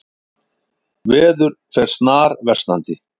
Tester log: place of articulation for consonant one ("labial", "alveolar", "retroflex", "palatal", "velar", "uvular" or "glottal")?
labial